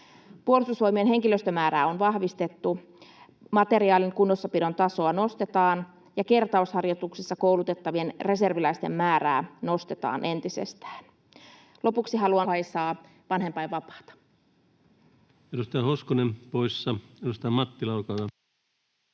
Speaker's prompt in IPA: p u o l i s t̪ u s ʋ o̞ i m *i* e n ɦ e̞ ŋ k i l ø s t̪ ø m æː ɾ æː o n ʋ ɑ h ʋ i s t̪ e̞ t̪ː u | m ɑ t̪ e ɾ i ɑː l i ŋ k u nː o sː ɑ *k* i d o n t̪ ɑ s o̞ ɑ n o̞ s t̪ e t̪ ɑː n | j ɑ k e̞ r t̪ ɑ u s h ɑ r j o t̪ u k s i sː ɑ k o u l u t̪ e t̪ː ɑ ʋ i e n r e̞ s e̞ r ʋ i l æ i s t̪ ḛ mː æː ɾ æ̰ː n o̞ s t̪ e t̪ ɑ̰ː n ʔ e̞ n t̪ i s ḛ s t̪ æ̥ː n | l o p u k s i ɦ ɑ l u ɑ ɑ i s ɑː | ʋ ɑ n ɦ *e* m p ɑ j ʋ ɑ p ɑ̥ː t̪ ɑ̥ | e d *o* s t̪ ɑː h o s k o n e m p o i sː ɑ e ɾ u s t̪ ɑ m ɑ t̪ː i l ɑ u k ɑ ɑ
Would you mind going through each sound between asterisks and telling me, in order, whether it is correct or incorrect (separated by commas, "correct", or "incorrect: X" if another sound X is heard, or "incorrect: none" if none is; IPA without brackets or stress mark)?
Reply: correct, incorrect: p, correct, incorrect: u